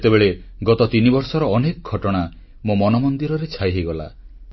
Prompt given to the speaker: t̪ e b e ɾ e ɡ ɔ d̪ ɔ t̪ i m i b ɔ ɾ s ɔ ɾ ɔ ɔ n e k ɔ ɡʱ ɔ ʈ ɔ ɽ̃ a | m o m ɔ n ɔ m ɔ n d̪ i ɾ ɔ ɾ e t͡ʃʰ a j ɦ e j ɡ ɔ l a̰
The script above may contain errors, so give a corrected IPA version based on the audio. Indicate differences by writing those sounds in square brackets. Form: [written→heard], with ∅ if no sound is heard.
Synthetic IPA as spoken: t̪ e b e [ɾ→ɭ] e ɡ ɔ [d̪→t̪] ɔ t̪ i [m→n] i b ɔ ɾ s ɔ ɾ ɔ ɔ n e k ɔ ɡʱ ɔ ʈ ɔ ɽ̃ a | m o m ɔ n ɔ m ɔ n d̪ i ɾ ɔ ɾ e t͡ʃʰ a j ɦ e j ɡ ɔ l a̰